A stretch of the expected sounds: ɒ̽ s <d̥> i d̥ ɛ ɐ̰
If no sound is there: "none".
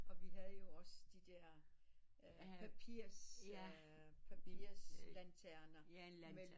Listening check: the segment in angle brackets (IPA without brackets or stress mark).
d̥